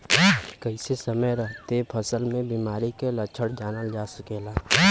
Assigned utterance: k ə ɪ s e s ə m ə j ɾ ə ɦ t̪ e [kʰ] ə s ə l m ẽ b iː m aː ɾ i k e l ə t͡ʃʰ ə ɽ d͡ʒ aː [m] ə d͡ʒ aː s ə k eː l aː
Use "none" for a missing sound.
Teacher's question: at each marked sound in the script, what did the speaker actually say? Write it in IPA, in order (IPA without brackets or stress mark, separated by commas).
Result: pʰ, n